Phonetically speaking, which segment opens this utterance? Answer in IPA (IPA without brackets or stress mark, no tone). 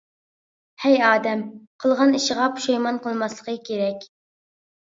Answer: h